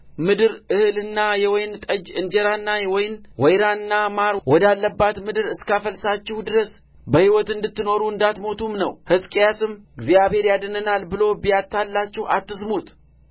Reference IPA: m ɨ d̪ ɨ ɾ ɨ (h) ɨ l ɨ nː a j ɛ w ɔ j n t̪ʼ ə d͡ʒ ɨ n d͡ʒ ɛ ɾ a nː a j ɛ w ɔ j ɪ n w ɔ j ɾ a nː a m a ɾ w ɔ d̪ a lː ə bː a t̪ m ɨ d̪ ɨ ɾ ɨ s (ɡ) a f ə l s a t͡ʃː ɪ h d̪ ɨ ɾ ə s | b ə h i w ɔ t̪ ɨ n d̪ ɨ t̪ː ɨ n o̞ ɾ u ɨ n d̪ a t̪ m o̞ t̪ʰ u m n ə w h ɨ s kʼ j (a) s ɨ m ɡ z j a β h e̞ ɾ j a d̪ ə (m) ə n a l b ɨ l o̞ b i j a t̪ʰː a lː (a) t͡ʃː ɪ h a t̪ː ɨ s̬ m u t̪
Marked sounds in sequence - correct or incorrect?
correct, incorrect: k, correct, incorrect: n, correct

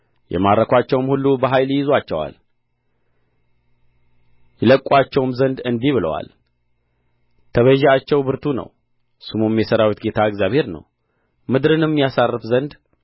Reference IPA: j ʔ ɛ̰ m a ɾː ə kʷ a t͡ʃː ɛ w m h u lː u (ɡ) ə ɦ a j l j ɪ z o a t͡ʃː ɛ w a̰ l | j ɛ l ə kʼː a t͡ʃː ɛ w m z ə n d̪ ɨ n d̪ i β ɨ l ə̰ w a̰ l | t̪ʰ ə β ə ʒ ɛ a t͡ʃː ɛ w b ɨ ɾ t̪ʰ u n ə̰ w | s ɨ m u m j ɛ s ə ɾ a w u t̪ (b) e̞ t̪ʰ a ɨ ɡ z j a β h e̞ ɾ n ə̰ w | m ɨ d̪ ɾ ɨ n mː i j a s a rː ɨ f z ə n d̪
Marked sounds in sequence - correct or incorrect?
incorrect: b, incorrect: ɡ

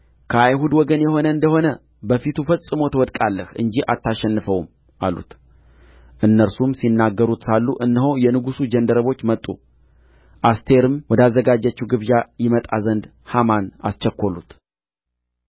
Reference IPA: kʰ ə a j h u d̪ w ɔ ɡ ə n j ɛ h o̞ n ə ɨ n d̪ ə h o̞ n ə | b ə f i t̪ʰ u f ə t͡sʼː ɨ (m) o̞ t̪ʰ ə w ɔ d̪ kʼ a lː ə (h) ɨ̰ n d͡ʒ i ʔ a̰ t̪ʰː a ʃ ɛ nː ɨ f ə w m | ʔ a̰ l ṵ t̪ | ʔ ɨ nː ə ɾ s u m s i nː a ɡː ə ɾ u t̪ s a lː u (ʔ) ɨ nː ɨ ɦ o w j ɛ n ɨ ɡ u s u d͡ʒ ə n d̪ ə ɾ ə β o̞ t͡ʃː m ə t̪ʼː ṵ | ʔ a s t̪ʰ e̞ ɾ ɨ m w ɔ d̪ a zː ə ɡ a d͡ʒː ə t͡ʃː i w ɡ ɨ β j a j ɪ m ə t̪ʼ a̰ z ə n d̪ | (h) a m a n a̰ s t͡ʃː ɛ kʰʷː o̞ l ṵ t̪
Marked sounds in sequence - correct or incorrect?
correct, correct, correct, correct

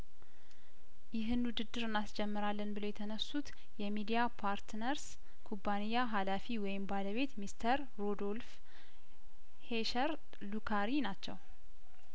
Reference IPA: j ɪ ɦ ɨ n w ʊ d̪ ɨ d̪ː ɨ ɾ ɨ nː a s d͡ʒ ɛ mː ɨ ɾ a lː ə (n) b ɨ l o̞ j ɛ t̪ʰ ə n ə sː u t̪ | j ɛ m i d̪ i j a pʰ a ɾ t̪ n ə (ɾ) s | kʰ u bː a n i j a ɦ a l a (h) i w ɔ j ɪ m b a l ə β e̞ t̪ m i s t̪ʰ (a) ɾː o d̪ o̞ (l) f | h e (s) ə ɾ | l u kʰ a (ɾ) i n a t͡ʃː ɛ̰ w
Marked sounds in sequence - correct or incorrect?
correct, correct, incorrect: f, incorrect: ə, correct, incorrect: ʃ, correct

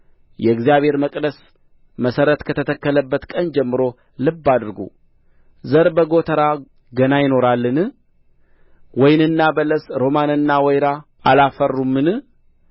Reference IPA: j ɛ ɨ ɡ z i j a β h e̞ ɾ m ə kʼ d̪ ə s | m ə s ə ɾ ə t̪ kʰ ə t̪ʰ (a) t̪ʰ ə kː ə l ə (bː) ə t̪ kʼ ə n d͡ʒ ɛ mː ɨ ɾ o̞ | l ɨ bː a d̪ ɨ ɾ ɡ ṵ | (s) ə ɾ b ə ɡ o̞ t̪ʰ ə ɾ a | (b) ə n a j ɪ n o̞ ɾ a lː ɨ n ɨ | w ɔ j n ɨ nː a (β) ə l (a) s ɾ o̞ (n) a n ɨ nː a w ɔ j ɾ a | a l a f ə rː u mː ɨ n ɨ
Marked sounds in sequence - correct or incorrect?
incorrect: ə, correct, incorrect: z, incorrect: ɡ, incorrect: b, incorrect: ə, incorrect: m

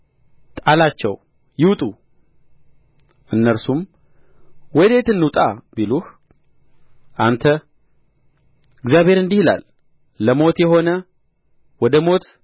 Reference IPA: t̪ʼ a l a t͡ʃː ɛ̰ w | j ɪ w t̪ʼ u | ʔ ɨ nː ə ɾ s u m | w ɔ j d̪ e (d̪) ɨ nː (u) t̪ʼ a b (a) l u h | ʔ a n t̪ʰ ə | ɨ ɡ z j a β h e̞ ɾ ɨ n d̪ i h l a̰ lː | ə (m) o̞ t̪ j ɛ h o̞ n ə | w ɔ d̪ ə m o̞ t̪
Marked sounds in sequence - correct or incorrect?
incorrect: t̪, correct, incorrect: i, correct

